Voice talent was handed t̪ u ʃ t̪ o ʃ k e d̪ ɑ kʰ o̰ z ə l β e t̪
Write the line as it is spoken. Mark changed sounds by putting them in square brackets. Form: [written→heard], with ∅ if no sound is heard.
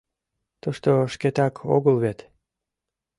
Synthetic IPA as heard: t̪ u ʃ t̪ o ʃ k e [d̪→t̪] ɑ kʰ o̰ [z→ɣ] ə l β e t̪